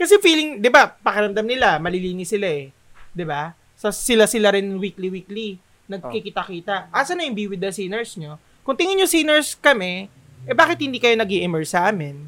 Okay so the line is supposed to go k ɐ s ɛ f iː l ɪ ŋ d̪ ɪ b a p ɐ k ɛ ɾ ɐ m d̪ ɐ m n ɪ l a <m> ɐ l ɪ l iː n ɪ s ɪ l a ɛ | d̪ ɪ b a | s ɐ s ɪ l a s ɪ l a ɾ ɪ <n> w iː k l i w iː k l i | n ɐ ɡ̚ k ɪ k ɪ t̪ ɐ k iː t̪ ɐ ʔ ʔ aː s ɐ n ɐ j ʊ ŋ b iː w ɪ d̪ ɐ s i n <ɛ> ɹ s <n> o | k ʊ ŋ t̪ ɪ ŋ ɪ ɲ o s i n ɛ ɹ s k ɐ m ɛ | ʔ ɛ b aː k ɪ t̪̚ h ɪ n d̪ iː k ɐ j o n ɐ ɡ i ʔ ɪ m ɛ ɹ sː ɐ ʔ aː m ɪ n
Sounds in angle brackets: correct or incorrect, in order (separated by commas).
correct, correct, correct, incorrect